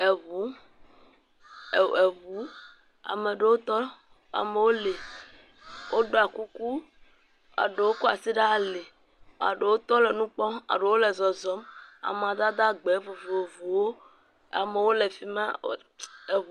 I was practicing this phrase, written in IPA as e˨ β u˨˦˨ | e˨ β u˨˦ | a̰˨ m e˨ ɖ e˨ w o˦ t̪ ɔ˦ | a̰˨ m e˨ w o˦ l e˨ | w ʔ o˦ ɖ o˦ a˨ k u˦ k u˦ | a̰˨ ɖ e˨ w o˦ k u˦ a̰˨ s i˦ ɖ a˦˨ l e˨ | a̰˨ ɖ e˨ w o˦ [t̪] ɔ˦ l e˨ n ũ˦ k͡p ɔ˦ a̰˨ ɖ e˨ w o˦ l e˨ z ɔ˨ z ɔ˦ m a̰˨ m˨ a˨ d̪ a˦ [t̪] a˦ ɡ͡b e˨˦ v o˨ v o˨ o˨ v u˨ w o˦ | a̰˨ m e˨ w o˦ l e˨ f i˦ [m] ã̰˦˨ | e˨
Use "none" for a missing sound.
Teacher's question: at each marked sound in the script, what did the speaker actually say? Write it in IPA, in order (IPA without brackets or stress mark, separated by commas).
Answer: t̪, d̪, m